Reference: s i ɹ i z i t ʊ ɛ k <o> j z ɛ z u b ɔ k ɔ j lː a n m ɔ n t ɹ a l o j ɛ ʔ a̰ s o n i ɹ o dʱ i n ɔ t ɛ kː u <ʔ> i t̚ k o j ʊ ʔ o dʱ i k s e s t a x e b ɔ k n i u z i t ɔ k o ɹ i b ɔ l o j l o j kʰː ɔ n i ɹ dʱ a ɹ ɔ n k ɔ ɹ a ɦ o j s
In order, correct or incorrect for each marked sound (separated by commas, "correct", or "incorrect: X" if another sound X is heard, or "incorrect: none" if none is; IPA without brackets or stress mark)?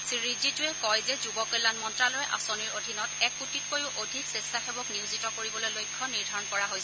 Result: incorrect: ɔ, incorrect: t